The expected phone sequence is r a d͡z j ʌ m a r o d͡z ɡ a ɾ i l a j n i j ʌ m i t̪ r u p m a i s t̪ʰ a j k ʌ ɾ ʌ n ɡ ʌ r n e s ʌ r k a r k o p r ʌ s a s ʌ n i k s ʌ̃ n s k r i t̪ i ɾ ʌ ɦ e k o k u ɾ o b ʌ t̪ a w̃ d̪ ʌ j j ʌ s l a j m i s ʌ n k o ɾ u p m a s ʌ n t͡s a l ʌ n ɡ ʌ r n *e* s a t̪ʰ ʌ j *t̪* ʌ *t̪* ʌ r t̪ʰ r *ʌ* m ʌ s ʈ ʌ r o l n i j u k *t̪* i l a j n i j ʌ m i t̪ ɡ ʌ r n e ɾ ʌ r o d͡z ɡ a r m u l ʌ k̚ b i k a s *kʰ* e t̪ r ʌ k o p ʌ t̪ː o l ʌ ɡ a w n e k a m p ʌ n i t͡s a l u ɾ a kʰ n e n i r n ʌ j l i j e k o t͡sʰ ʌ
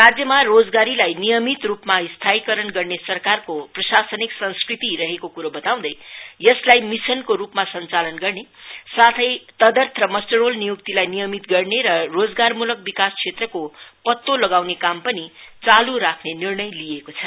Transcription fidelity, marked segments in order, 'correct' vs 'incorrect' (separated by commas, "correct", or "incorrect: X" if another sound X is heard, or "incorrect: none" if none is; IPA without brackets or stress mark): correct, correct, incorrect: d̪, correct, correct, correct